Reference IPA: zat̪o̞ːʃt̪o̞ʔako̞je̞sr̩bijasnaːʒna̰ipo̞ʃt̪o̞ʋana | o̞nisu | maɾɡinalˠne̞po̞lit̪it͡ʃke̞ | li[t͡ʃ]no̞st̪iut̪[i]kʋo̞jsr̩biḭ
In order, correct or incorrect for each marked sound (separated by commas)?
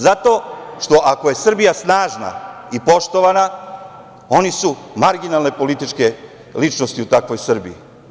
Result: correct, incorrect